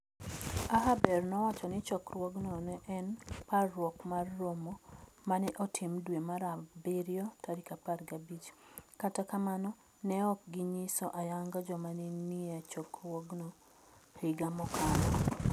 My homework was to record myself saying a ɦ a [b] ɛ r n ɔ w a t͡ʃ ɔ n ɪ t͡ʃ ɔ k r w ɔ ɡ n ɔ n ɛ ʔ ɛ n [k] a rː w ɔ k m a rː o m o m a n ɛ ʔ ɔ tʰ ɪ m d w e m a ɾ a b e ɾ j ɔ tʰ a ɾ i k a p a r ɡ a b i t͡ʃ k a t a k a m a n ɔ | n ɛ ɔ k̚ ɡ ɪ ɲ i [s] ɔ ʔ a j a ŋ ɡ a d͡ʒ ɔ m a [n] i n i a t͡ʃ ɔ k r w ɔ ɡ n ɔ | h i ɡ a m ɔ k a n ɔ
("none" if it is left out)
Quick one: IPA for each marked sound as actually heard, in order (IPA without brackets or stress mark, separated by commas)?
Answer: b, p, s, n